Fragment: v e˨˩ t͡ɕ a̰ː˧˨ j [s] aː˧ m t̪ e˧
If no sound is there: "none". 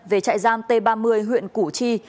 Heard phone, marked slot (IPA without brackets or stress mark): z